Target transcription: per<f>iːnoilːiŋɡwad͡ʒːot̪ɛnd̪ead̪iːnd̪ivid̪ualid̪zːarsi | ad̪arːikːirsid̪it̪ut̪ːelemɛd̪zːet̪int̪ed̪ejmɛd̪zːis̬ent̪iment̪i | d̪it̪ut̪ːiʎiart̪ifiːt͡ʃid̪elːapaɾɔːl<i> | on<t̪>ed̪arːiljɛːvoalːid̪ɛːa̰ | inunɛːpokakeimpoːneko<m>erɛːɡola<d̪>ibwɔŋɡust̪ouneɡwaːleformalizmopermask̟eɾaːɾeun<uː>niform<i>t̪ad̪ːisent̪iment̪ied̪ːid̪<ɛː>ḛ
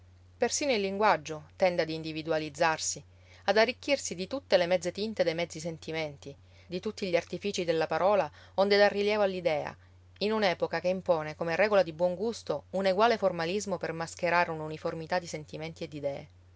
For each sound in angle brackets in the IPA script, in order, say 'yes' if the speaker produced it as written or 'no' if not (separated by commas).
no, no, no, yes, yes, no, yes, yes